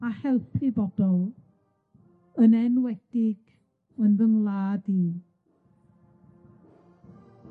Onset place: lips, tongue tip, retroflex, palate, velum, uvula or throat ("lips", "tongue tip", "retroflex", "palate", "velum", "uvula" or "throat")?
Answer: throat